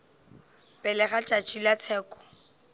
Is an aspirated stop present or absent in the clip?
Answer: present